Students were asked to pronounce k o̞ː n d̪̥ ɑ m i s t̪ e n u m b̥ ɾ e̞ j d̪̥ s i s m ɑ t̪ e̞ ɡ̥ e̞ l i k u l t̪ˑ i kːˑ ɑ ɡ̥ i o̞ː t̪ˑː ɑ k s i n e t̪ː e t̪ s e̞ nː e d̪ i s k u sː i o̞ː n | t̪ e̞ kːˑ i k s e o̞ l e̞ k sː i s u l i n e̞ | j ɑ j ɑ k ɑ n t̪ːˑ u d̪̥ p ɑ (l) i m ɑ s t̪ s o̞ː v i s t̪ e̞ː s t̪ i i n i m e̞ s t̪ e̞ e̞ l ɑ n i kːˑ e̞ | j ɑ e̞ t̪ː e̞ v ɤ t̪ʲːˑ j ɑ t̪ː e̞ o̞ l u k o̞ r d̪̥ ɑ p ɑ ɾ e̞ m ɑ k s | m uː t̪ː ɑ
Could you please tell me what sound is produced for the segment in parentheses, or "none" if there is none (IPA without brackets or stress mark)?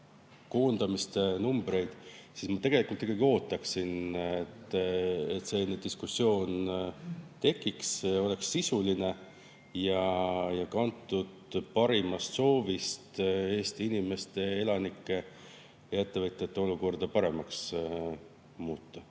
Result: ɾ